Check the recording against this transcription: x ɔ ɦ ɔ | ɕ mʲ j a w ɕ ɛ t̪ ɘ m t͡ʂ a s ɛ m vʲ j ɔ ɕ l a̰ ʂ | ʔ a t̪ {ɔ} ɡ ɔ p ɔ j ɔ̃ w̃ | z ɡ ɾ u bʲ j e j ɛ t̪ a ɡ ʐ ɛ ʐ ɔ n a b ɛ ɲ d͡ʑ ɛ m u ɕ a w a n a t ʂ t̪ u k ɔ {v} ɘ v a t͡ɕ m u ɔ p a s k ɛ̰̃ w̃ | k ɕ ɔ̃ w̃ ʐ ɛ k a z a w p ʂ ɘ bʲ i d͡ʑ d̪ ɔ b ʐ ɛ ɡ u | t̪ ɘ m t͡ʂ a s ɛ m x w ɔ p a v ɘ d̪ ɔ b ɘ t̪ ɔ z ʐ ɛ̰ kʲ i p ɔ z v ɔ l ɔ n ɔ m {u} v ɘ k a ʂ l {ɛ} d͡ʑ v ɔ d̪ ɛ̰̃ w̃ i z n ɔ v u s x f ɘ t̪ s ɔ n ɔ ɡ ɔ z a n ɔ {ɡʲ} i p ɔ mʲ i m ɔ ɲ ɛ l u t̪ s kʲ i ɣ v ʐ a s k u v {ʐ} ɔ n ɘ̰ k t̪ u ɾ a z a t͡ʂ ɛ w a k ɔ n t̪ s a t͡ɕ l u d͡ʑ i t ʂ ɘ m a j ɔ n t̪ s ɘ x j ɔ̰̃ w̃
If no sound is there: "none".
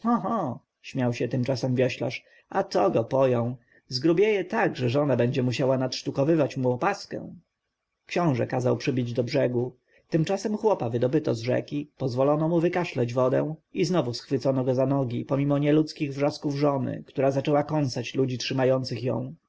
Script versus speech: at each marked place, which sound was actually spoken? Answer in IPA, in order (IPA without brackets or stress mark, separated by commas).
ɔ, v, u, ɛ, ɡʲ, ʐ